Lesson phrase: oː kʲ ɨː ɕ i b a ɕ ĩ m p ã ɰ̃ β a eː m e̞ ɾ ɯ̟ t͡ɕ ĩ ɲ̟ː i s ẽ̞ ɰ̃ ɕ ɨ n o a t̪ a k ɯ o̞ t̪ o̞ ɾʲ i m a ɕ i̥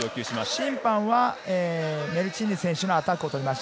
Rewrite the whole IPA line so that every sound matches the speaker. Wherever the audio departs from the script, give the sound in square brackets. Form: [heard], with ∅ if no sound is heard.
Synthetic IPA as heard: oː kʲ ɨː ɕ i [m] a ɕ ĩ m p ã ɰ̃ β a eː m e̞ ɾ ɯ̟ t͡ɕ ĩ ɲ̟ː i s ẽ̞ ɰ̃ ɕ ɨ n o a t̪ a k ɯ o̞ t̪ o̞ ɾʲ i m a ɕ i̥